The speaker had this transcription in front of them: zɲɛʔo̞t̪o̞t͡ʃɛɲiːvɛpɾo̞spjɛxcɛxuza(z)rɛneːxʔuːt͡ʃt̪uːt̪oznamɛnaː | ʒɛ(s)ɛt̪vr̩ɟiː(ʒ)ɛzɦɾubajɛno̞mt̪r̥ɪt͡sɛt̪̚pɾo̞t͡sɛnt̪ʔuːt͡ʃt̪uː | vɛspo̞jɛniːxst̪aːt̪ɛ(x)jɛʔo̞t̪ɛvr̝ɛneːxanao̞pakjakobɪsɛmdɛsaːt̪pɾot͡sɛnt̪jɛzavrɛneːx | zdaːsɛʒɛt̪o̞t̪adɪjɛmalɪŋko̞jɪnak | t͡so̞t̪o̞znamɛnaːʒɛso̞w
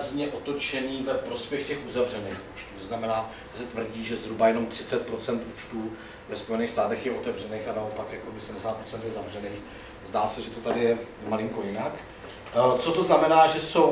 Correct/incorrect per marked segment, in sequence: incorrect: v, correct, correct, correct

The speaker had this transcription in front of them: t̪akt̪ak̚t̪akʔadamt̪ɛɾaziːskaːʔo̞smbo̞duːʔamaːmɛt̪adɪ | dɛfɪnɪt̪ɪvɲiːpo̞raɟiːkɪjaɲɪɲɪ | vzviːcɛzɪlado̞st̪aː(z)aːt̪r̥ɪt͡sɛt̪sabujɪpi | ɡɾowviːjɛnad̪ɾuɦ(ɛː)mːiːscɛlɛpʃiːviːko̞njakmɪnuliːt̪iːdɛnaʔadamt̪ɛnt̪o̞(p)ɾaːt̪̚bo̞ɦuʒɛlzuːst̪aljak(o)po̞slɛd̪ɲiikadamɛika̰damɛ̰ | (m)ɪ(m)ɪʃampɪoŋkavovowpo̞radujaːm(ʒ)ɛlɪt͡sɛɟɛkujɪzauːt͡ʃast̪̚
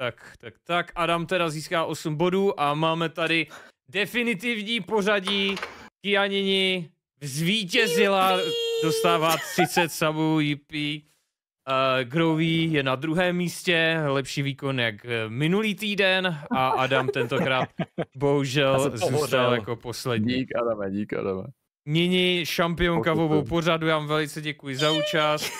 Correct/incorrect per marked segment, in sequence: incorrect: v, correct, incorrect: k, correct, incorrect: ɲ, incorrect: ɲ, incorrect: v

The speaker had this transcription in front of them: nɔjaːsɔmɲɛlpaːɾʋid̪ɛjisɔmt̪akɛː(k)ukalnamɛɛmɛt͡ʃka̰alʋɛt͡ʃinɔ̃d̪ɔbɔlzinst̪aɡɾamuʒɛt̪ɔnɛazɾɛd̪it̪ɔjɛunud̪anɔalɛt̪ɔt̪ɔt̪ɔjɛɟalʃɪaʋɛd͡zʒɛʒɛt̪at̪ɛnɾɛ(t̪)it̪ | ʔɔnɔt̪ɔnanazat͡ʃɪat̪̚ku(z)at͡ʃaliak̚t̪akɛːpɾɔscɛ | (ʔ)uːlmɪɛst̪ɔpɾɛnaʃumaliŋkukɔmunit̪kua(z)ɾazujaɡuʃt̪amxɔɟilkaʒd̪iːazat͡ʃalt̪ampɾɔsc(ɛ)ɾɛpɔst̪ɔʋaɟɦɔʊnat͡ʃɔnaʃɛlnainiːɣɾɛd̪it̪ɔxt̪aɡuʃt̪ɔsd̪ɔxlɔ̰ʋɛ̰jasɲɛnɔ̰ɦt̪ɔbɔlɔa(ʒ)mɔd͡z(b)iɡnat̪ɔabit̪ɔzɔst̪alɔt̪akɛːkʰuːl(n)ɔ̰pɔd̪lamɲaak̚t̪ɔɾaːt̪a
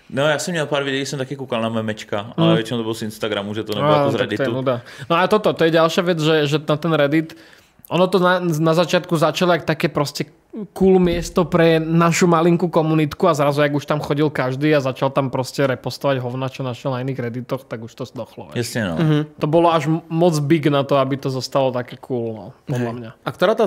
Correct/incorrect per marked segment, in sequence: correct, incorrect: d̪, correct, incorrect: k, correct, correct, correct, correct, correct

